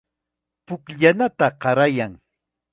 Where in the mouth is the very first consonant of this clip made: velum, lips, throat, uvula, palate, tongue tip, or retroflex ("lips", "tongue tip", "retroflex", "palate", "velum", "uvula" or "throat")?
lips